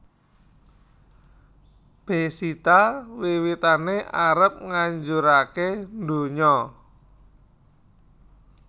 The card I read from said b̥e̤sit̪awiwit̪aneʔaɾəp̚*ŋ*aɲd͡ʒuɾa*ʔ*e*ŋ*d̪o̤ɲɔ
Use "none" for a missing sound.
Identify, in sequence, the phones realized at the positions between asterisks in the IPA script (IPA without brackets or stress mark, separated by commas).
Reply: ŋ, k, n